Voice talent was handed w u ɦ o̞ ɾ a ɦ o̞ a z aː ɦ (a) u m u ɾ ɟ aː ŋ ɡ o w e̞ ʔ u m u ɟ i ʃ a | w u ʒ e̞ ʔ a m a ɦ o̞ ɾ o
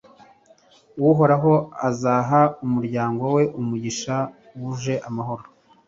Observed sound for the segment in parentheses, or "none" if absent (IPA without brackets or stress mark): a